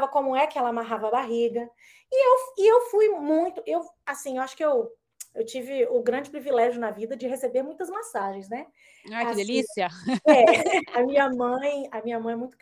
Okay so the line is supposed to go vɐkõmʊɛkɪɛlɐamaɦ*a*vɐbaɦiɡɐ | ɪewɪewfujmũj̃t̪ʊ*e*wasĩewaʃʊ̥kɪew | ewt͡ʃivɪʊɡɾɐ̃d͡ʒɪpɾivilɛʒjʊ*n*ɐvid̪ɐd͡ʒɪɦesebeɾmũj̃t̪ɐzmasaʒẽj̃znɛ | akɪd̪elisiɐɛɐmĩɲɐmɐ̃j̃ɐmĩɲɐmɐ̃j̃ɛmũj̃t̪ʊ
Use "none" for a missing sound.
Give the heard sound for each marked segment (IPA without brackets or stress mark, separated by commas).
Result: a, e, n